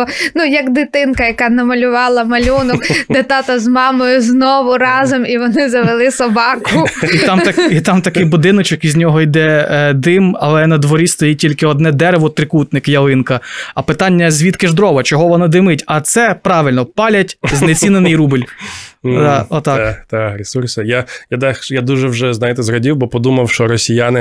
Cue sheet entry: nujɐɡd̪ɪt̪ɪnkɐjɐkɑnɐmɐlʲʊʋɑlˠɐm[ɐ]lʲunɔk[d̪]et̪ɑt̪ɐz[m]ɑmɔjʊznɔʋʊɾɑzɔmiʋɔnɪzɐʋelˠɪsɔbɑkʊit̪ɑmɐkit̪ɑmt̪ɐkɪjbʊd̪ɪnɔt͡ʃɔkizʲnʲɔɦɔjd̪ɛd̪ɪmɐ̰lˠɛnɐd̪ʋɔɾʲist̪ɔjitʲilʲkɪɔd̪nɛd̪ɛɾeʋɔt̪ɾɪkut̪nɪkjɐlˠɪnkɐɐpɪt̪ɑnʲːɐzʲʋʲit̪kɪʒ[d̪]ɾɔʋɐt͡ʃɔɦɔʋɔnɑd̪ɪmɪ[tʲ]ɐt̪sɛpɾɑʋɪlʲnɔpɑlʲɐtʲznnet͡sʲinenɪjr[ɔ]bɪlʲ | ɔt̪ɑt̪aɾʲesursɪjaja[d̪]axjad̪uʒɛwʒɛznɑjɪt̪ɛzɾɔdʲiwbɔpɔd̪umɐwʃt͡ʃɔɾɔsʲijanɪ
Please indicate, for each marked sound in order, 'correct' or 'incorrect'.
correct, correct, correct, correct, correct, incorrect, correct

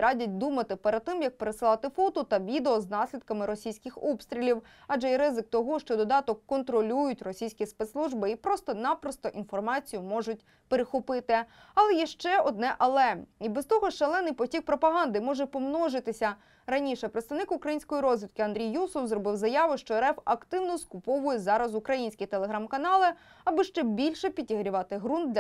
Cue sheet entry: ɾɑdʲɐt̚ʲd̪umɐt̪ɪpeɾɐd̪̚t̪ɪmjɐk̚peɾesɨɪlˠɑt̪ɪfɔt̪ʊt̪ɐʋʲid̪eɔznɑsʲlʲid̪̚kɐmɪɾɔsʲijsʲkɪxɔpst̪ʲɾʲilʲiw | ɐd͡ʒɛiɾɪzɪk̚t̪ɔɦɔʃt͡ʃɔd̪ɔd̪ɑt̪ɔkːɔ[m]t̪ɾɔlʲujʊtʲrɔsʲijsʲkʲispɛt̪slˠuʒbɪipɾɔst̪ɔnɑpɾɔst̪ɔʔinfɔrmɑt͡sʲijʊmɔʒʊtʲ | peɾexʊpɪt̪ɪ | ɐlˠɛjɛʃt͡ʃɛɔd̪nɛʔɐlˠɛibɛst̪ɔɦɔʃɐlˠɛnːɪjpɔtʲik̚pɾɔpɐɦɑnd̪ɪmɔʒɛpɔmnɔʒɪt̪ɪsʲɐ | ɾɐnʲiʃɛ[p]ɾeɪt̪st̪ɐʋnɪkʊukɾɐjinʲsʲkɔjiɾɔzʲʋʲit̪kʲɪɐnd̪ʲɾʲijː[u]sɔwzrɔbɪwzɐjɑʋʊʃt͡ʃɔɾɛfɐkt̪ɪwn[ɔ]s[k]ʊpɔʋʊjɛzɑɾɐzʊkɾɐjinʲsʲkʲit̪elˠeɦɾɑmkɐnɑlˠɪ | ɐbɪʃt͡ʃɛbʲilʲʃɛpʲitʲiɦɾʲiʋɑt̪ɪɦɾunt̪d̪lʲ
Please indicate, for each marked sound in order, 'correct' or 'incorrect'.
incorrect, correct, correct, correct, correct

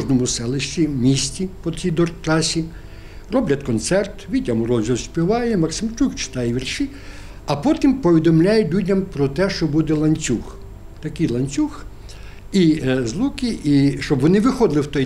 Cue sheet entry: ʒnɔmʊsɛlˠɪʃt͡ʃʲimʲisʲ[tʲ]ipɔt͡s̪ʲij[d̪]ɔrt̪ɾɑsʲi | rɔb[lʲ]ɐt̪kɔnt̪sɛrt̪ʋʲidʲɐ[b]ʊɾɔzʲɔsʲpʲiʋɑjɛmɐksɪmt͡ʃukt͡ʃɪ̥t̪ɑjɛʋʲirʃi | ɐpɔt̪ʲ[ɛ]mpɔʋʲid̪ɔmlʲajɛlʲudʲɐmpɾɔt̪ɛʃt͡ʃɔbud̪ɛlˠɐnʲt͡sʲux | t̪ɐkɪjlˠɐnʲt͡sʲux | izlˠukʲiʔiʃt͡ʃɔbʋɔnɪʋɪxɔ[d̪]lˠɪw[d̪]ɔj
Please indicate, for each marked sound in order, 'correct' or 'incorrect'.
correct, correct, correct, incorrect, incorrect, correct, incorrect

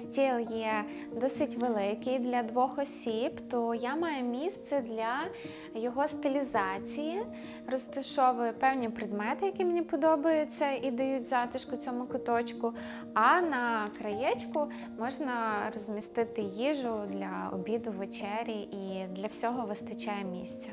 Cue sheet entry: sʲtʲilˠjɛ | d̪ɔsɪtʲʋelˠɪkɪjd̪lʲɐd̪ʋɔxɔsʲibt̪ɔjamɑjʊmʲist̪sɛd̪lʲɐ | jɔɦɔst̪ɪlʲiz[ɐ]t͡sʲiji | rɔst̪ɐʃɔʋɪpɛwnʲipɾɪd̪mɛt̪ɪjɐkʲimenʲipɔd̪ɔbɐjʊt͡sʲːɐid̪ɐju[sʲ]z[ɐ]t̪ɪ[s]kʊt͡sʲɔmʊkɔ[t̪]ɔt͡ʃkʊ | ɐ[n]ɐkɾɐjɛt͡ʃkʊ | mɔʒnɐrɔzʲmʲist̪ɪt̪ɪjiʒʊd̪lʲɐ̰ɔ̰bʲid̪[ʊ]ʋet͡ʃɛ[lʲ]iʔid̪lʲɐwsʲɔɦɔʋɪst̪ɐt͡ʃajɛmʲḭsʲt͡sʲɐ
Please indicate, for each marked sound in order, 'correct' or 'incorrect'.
incorrect, incorrect, incorrect, incorrect, correct, correct, correct, incorrect

